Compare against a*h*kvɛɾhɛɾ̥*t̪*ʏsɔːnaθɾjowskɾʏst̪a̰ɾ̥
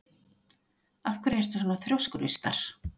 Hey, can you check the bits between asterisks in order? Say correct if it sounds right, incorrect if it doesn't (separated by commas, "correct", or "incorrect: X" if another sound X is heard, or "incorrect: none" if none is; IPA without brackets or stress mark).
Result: incorrect: f, correct